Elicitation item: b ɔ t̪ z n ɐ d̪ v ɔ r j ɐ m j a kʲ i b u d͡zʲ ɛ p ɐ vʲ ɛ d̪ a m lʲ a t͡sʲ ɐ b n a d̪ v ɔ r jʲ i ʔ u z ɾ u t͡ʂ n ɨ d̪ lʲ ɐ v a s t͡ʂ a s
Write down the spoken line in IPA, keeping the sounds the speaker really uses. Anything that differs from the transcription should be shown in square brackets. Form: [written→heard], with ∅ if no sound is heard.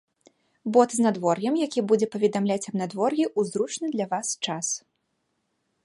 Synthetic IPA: b ɔ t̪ z n [ɐ→a] d̪ v ɔ r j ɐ m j a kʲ i b u d͡zʲ ɛ p ɐ vʲ ɛ d̪ a m lʲ a t͡sʲ ɐ b n a d̪ v ɔ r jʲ i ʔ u z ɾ u t͡ʂ n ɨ d̪ lʲ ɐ v a s t͡ʂ a s